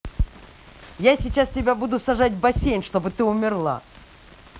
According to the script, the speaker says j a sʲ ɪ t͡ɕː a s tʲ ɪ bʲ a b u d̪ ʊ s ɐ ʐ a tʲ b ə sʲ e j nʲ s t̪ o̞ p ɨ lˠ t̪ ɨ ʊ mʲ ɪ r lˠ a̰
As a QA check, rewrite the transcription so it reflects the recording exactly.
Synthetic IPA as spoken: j a sʲ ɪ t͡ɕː a s tʲ ɪ bʲ a b u d̪ ʊ s ɐ ʐ a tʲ b ɐ sʲ e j nʲ ʂ t̪ o̞ b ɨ t̪ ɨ ʊ mʲ ɪ r lˠ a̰